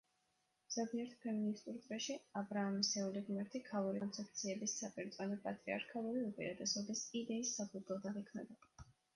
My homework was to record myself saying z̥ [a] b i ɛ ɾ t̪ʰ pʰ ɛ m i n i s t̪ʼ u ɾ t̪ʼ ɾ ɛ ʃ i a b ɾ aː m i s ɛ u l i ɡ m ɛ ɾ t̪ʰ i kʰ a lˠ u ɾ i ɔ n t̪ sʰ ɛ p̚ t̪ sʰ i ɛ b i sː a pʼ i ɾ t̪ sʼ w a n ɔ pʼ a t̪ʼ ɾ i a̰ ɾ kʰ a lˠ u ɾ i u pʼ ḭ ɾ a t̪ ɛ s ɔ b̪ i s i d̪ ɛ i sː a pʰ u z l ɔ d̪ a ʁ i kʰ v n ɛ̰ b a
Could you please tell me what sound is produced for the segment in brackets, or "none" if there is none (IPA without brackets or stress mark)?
a